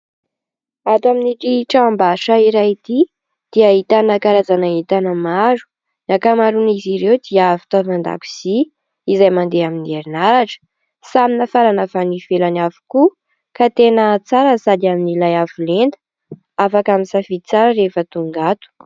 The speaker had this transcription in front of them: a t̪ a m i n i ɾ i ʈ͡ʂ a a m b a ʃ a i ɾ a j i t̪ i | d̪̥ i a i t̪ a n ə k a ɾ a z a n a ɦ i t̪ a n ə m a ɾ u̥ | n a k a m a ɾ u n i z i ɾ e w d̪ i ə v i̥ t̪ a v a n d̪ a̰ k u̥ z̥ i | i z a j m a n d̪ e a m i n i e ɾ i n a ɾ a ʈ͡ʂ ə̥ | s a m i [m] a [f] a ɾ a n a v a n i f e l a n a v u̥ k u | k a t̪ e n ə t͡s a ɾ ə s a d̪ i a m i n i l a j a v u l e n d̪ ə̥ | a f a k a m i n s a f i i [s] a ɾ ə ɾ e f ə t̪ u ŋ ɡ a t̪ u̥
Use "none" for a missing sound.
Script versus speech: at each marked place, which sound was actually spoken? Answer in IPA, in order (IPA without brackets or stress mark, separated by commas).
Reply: n, f, t͡s